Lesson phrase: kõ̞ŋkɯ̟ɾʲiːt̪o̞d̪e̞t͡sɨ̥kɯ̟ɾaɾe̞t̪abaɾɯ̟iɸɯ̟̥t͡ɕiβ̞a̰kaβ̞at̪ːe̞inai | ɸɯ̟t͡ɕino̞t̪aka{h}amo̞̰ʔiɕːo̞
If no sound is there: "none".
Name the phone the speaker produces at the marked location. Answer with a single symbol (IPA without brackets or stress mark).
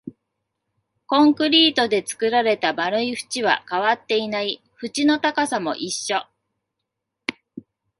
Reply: s